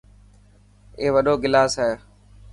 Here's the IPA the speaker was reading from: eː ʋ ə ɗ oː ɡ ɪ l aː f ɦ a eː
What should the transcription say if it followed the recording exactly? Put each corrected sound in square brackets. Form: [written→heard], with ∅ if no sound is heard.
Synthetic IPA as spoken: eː ʋ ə ɗ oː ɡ ɪ l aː [f→s] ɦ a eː